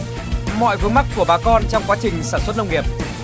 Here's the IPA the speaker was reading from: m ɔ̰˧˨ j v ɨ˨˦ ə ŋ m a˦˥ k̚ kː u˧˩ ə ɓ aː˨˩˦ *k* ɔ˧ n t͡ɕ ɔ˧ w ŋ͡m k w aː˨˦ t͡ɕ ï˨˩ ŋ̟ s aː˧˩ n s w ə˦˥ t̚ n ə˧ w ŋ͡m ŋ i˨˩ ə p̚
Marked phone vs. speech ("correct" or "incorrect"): correct